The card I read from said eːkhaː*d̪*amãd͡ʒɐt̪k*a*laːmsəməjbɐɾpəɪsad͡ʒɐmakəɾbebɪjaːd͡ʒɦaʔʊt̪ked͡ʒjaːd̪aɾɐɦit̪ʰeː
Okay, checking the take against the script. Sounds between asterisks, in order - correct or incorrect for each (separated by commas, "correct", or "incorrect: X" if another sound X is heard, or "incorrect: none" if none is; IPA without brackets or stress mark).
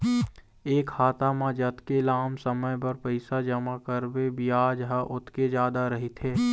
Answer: incorrect: t̪, incorrect: e